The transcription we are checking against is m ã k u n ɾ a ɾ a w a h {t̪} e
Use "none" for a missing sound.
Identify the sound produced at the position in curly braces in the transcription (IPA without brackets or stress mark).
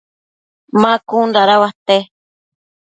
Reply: t̪